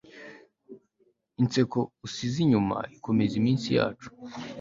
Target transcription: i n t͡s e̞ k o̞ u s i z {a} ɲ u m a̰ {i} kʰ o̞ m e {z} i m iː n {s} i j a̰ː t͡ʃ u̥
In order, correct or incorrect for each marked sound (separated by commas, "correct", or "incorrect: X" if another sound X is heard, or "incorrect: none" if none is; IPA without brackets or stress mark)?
incorrect: i, correct, correct, correct